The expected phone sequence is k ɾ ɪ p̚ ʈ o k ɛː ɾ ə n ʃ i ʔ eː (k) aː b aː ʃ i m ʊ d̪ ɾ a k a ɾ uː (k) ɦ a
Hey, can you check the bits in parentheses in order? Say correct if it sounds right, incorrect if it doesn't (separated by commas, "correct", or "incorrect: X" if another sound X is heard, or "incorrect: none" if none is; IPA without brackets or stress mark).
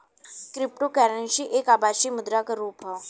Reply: correct, incorrect: p